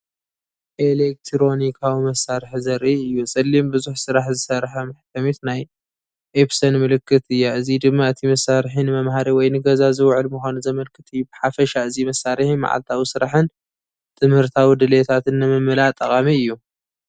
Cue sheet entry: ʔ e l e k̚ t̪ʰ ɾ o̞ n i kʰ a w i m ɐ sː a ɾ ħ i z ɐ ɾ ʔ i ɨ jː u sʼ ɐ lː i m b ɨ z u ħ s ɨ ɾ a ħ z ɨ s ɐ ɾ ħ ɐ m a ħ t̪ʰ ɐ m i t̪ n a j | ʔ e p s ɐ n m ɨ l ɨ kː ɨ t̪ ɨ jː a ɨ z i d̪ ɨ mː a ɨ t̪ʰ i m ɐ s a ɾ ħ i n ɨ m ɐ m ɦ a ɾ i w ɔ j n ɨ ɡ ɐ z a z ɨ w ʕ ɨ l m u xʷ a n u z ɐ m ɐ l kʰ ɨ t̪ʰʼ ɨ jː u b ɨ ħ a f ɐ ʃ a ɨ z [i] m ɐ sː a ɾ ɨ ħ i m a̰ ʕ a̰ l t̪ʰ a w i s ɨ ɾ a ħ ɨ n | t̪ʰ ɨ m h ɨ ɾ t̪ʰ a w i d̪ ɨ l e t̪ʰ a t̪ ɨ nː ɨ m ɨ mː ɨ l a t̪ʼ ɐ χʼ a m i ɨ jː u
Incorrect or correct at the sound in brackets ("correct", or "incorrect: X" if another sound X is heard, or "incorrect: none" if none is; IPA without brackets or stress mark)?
correct